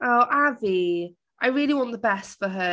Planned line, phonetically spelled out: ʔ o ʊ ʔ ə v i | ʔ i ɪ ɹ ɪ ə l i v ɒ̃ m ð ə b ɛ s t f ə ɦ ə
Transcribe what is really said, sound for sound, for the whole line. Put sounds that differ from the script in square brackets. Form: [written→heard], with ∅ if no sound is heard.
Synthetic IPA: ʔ o ʊ ʔ [ə→a] v i | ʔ [i→a] ɪ ɹ ɪ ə l i [v→w] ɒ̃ [m→n] ð ə b ɛ s t f ə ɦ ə